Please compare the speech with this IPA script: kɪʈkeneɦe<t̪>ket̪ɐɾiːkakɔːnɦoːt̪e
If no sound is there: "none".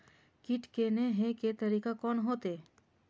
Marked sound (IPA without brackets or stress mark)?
none